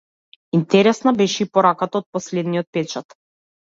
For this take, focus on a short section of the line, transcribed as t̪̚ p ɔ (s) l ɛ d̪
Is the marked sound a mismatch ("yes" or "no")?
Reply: no